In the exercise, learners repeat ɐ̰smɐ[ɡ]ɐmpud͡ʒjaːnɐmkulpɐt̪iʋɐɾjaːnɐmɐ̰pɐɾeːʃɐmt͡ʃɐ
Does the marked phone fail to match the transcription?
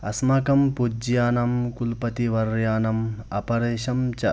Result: yes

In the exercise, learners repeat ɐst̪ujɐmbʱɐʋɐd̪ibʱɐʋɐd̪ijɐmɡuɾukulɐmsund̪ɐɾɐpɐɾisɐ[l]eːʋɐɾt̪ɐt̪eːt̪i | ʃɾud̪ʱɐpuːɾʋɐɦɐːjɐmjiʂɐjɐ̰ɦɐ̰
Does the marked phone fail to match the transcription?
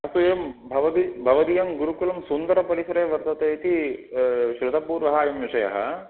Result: yes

